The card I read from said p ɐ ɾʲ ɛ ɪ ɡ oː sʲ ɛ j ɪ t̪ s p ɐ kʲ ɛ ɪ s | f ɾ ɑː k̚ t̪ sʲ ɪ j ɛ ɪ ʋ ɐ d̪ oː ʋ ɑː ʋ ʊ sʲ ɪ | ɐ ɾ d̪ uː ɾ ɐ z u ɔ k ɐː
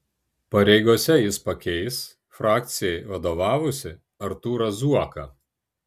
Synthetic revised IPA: p ɐ ɾʲ ɛ ɪ ɡ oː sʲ ɛ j ɪ s p ɐ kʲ ɛ ɪ s | f ɾ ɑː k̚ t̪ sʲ ɪ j ɛ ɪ ʋ ɐ d̪ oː ʋ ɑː ʋ ʊ sʲ ɪ | ɐ ɾ t̪ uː ɾ ɐ z u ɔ k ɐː